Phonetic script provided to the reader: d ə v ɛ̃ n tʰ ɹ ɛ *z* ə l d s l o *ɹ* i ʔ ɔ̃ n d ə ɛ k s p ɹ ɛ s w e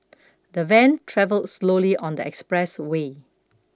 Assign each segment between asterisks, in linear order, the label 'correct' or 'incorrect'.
incorrect: v, incorrect: l

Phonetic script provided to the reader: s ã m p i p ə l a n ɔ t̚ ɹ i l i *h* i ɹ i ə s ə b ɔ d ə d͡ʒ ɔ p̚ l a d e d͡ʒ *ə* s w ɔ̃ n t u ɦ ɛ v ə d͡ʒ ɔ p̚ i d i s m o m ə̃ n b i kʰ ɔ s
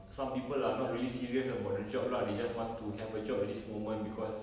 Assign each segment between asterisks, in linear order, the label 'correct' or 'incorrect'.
incorrect: s, incorrect: a

